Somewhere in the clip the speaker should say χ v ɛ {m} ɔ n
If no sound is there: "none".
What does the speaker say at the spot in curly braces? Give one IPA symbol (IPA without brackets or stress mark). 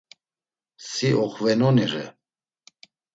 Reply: n